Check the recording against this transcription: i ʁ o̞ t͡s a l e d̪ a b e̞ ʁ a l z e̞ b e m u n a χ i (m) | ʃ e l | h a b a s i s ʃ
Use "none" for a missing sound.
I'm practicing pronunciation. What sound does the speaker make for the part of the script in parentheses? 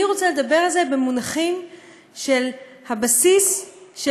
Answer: m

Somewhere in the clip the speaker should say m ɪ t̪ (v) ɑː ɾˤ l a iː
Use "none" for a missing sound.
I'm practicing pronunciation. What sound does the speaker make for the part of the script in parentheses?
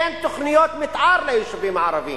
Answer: ʕ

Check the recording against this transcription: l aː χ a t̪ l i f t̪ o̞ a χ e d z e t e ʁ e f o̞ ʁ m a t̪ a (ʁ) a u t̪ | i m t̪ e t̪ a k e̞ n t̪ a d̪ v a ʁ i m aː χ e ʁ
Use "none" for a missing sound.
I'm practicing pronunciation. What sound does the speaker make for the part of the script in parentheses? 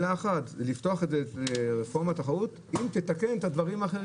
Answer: χ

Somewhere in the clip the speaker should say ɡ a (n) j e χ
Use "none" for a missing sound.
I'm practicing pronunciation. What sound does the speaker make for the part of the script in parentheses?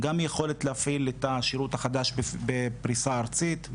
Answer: m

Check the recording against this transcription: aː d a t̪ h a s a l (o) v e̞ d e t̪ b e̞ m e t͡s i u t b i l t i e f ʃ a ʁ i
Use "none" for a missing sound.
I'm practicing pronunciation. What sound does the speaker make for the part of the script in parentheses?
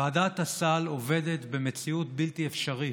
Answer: o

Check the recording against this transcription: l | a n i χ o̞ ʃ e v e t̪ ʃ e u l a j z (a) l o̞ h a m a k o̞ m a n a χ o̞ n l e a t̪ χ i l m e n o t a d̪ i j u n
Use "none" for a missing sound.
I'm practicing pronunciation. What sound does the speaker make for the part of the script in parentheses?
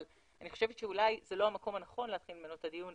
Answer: e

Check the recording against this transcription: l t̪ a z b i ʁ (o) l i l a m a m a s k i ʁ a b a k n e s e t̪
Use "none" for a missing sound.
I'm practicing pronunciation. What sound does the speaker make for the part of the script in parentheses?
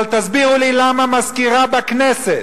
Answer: u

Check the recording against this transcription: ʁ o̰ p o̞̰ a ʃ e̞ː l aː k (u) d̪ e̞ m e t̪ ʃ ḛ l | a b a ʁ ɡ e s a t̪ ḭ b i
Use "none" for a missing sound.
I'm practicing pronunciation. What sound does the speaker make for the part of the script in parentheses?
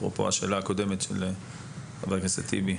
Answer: o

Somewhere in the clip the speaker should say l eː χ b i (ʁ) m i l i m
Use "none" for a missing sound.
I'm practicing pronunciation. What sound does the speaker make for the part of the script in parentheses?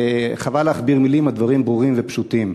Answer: ʁ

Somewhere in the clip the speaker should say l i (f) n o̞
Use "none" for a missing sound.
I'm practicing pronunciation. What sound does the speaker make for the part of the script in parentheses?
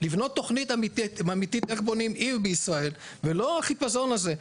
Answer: v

